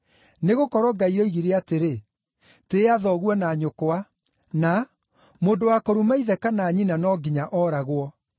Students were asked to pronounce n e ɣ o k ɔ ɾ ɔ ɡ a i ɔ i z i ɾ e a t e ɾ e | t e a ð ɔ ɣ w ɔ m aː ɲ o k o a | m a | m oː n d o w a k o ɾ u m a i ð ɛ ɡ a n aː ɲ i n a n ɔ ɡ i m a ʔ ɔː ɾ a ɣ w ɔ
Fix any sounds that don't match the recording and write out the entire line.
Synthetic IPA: n e ɣ o k ɔ ɾ ɔ ɡ a i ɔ i ɣ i ɾ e a t e ɾ e | t e a ð ɔ ɣ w ɔ n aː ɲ o k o a | n a | m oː n d o w a k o ɾ u m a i ð ɛ k a n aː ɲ i n a n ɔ ɡ i ɲ a ʔ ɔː ɾ a ɣ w ɔ

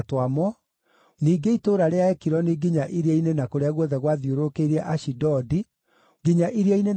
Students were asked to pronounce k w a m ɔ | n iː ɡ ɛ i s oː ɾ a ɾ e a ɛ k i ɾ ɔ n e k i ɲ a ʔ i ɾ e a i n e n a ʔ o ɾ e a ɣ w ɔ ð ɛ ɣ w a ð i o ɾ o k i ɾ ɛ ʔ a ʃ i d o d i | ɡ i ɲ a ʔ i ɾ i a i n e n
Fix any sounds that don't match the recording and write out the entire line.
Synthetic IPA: t w a m ɔ | n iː ɡ e i t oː ɾ a ɾ e a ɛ k i ɾ ɔ n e ɡ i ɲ a ʔ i ɾ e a i n e n a k o ɾ e a ɣ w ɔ ð ɛ ɣ w a ð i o ɾ o k e ɾ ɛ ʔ a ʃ i d ɔ d i | ɡ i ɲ a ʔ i ɾ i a i n e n

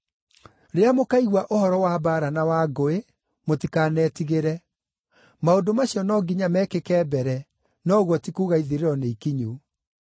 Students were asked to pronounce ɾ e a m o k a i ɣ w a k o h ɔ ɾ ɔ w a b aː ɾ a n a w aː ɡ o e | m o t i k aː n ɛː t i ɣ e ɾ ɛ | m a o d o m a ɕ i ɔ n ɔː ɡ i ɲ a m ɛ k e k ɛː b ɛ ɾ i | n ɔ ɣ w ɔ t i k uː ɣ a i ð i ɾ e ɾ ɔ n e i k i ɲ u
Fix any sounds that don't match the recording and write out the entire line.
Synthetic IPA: ɾ e a m o k a i ɣ w a ʔ o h ɔ ɾ ɔ w a b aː ɾ a n a w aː ɡ o e | m o t i k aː n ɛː t i ɣ e ɾ ɛ | m a o d o m a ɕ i ɔ n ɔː ɡ i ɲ a m ɛ k e k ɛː b ɛ ɾ ɛ | n ɔ ɣ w ɔ t i k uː ɣ a i ð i ɾ e ɾ ɔ n e i k i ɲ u

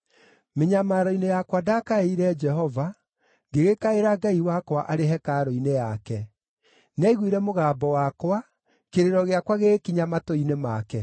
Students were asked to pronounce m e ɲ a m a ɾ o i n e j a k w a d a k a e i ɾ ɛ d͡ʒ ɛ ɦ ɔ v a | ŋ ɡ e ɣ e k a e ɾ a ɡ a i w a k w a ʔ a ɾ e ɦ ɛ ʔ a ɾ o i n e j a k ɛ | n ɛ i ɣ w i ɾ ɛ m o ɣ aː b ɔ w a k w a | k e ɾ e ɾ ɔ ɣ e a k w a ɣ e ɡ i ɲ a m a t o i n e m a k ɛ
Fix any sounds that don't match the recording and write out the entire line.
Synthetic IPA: m e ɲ a m a ɾ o i n e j a k w a d a k a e i ɾ ɛ d͡ʒ ɛ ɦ ɔ v a | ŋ ɡ e ɣ e k a e ɾ a ɡ a i w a k w a ʔ a ɾ e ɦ ɛ k a ɾ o i n e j a k ɛ | n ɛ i ɣ w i ɾ ɛ m o ɣ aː b ɔ w a k w a | k e ɾ e ɾ ɔ ɣ e a k w a ɣ e k i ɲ a m a t o i n e m a k ɛ

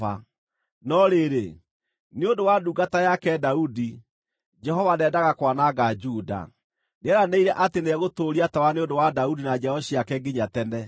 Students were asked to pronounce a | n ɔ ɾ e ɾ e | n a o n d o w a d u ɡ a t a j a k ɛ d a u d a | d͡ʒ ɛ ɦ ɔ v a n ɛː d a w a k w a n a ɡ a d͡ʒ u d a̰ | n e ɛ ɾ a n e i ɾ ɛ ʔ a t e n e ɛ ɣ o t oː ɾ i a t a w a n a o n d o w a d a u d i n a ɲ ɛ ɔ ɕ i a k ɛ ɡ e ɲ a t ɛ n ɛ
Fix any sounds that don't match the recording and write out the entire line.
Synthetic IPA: a | n ɔ ɾ e ɾ e | n e o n d o w a d u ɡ a t a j a k ɛ d a u d i | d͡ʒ ɛ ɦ ɔ v a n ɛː d a ɣ a k w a n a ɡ a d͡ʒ u d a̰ | n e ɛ ɾ a n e i ɾ ɛ ʔ a t e n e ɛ ɣ o t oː ɾ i a t a w a n e o n d o w a d a u d i n a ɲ ɛ ɔ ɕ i a k ɛ ɡ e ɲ a t ɛ n ɛ

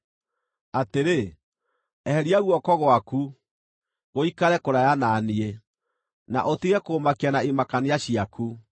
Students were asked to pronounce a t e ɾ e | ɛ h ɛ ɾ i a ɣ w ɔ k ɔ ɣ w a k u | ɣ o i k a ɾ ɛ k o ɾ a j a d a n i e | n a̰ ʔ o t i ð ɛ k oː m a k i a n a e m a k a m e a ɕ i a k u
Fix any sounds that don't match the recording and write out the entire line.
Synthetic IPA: a t e ɾ e | ɛ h ɛ ɾ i a ɣ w ɔ k ɔ ɣ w a k u | ɣ o i k a ɾ ɛ k o ɾ a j a n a n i e | n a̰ ʔ o t i ɣ ɛ k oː m a k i a n a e m a k a n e a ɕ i a k u

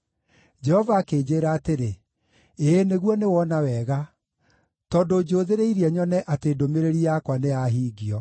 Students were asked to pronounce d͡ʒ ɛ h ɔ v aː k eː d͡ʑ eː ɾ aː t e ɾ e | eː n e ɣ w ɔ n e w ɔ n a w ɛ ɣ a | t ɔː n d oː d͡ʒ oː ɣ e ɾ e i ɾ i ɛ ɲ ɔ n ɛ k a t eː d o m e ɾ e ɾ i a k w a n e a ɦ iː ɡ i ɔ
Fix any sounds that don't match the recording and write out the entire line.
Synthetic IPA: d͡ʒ ɛ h ɔ v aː k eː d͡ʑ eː ɾ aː t e ɾ e | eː n e ɣ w ɔ n e w ɔ n a w ɛ ɣ a | t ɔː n d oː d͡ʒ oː ð e ɾ e i ɾ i ɛ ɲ ɔ n ɛ ʔ a t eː d o m e ɾ e ɾ i a k w a n e a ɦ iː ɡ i ɔ

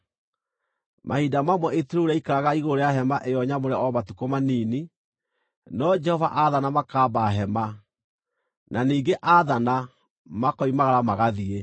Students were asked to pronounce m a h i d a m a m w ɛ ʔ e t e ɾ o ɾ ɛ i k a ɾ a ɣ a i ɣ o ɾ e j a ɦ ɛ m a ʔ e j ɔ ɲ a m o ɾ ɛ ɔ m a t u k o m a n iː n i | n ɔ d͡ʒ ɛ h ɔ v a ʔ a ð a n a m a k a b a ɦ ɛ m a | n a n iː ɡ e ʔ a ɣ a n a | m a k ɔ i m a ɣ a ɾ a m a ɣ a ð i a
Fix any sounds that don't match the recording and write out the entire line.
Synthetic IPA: m a h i d a m a m w ɛ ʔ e t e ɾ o ɾ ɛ i k a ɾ a ɣ a i ɣ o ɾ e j a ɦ ɛ m a ʔ e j ɔ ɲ a m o ɾ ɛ ɔ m a t u k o m a n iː n i | n ɔ d͡ʒ ɛ h ɔ v a ʔ a ð a n a m a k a b a ɦ ɛ m a | n a n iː ɡ e ʔ a ð a n a | m a k ɔ i m a ɣ a ɾ a m a ɣ a ð i e

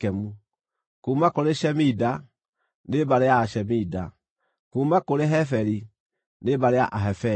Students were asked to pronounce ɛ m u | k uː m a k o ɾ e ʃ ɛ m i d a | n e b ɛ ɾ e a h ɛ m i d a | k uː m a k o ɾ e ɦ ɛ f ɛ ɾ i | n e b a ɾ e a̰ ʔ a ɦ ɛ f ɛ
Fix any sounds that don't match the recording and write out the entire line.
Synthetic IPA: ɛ m u | k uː m a k o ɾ e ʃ ɛ m i d a | n e b a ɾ e a ʃ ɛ m i d a | k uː m a k o ɾ e ɦ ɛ f ɛ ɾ i | n e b a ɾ e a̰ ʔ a ɦ ɛ f ɛ

